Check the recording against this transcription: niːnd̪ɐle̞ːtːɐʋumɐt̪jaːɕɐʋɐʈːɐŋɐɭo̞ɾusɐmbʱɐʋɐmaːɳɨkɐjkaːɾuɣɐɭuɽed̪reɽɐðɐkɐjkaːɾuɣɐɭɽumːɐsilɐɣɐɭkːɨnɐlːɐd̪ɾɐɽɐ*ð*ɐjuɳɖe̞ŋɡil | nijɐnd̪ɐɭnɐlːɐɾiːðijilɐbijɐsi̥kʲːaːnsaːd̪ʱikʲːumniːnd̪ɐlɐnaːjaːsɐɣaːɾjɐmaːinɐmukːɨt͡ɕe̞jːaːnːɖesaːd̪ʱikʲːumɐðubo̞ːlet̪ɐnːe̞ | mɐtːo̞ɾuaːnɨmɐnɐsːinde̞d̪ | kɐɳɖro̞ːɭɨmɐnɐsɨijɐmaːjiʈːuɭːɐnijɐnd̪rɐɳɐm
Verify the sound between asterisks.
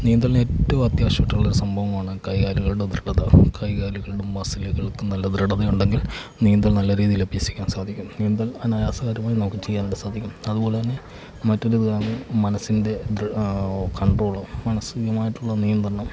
correct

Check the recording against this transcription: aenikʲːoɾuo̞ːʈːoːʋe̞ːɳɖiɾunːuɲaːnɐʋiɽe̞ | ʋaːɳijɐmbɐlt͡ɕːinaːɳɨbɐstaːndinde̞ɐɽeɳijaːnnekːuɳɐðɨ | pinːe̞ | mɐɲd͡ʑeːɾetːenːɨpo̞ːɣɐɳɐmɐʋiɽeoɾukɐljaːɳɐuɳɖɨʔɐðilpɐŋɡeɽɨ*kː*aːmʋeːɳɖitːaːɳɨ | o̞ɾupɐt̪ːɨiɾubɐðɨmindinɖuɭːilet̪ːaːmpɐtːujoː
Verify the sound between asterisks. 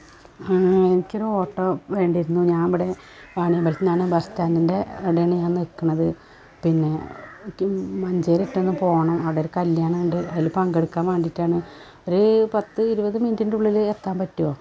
correct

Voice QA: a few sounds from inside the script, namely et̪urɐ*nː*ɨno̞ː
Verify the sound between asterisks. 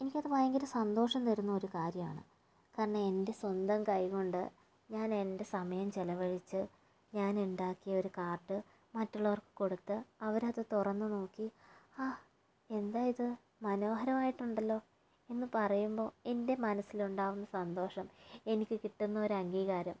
correct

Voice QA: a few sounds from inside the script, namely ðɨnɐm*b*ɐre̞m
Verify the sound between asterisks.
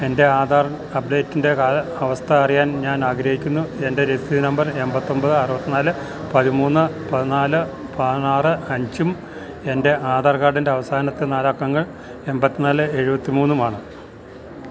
correct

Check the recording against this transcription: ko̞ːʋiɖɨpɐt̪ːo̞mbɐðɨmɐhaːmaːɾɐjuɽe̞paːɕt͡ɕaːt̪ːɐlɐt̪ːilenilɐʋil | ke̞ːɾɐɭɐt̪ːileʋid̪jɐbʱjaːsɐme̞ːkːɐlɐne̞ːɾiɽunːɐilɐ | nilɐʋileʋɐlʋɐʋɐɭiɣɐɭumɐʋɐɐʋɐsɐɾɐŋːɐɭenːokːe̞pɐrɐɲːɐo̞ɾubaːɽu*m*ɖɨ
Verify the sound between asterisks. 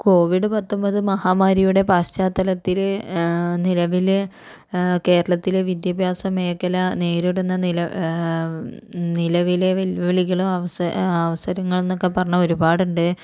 incorrect: ɳ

